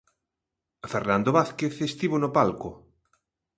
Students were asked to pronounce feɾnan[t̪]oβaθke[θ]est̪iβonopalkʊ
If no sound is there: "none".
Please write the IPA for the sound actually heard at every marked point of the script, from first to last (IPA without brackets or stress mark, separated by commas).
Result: d̪, θ